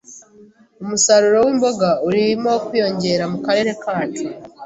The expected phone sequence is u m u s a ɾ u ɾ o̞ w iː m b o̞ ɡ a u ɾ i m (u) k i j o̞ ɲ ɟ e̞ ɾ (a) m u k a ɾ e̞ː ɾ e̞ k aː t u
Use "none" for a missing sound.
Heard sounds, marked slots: o, a

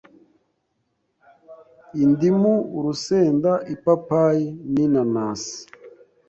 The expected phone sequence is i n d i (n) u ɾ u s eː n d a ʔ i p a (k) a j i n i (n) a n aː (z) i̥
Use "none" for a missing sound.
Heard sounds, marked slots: m, p, n, s

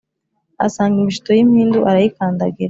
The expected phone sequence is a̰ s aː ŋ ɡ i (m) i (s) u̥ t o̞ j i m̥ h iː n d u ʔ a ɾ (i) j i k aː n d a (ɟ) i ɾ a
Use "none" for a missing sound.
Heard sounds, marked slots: m, ʃ, a, ɡ

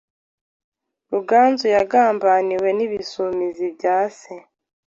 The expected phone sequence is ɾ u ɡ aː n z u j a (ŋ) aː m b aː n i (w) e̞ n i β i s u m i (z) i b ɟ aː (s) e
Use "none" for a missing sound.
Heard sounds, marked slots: ɡ, w, z, s

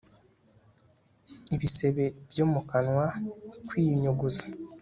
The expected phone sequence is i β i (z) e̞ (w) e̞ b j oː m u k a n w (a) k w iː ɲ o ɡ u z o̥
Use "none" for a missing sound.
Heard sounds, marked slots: s, β, a

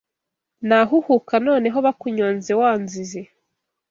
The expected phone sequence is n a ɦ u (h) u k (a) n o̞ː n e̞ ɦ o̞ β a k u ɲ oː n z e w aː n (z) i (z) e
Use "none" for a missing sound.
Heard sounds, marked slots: h, a, z, z

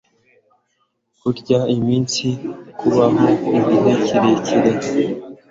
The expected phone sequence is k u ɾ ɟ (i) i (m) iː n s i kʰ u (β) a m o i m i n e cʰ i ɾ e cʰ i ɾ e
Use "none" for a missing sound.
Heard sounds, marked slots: a, m, β

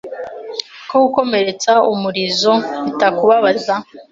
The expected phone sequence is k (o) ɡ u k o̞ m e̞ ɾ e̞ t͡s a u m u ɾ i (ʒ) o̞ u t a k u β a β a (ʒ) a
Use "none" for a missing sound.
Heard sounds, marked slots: o, z, z

